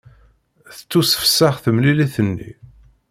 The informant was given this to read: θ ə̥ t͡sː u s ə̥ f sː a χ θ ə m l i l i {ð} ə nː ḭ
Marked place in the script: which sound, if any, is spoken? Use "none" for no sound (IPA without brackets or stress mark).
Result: θ